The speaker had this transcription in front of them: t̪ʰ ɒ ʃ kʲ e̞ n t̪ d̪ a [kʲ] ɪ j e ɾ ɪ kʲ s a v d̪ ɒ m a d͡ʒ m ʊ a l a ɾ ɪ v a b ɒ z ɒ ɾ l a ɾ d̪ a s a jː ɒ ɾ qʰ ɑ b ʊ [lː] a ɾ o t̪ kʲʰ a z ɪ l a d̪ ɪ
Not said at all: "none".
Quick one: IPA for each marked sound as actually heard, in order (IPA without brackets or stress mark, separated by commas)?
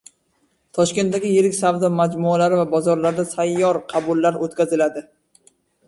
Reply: ɡʲ, lː